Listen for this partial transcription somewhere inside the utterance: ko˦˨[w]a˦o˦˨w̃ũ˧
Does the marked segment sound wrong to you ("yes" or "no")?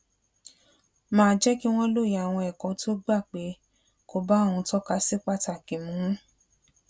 yes